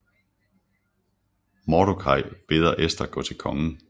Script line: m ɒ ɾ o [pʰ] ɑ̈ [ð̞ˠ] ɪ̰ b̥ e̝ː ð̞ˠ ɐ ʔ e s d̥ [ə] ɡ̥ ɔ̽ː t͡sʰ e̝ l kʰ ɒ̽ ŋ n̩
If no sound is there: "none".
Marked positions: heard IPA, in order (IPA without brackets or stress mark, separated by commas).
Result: kʰ, none, ɐ